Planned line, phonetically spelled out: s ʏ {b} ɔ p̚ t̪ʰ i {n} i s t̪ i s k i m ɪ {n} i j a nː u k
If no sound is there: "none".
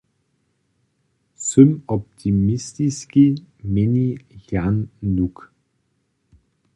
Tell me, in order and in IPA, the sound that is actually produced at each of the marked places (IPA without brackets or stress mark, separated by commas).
m, m, n